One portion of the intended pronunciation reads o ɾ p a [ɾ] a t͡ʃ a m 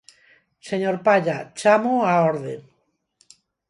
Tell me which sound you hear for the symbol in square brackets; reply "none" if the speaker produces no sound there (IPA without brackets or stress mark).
ʎ